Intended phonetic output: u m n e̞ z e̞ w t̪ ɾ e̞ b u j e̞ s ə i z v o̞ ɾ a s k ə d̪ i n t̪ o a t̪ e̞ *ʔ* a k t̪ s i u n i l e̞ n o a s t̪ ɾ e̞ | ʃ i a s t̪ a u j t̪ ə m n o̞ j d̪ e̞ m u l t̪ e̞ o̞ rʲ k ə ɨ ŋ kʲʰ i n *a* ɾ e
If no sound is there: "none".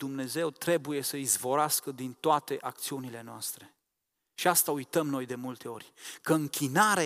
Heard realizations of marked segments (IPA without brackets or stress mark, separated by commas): ʔ, a